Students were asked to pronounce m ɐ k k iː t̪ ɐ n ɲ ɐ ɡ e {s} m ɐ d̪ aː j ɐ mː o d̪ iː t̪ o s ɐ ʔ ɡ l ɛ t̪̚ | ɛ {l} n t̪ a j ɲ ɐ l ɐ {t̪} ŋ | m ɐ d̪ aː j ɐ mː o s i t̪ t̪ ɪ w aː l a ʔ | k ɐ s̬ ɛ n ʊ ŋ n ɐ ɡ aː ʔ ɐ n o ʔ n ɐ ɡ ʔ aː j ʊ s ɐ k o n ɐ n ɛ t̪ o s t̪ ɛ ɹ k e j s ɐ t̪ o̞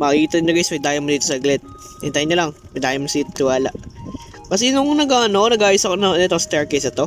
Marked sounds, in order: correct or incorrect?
correct, incorrect: none, incorrect: none

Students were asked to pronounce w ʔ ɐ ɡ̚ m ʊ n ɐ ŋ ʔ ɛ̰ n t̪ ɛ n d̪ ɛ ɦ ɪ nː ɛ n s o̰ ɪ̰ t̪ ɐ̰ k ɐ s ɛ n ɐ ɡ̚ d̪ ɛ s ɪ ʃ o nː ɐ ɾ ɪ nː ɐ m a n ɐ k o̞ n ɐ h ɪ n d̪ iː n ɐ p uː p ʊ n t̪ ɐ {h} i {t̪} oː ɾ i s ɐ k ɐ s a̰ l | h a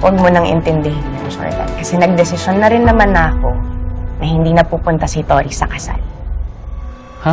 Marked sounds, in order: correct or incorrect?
incorrect: s, correct

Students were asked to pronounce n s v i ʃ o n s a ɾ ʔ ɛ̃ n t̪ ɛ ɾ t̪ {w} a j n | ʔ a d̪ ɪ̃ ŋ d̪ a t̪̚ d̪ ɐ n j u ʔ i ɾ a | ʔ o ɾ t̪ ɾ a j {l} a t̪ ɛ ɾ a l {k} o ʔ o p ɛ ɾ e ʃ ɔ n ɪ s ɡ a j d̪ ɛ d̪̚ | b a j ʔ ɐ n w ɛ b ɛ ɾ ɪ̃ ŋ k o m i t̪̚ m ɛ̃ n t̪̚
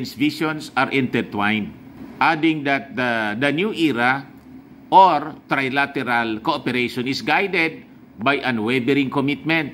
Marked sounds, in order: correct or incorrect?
correct, correct, correct

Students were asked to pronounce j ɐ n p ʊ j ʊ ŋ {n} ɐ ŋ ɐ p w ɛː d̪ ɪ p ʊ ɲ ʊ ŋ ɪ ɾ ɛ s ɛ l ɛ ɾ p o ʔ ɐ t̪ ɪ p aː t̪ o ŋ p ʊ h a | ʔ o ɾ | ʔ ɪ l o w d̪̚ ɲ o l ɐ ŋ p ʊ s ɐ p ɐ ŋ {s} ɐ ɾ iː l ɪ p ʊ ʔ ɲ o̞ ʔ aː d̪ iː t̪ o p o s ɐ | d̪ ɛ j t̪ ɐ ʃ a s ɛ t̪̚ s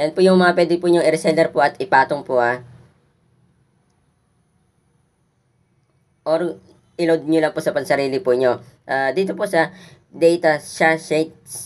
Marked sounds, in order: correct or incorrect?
incorrect: m, correct

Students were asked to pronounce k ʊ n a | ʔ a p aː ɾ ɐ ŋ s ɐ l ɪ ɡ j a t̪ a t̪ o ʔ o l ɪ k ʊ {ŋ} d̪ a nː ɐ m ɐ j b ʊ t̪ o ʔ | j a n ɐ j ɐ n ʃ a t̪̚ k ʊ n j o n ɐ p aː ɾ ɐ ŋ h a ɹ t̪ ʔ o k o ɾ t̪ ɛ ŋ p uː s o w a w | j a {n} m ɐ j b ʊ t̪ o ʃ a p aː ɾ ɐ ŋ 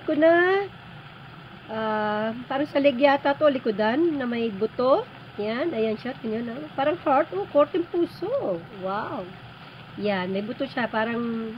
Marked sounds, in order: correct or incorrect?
incorrect: none, correct

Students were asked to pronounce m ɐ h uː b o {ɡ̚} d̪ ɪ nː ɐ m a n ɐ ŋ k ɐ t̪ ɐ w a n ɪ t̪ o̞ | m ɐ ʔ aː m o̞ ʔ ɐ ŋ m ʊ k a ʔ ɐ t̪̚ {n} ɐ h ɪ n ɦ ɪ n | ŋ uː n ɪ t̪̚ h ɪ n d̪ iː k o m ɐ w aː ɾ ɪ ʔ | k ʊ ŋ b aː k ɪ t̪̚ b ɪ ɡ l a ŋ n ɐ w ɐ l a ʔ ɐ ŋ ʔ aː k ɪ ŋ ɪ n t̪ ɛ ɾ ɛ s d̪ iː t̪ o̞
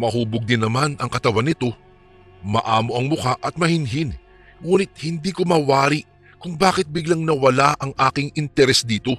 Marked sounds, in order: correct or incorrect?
correct, incorrect: m

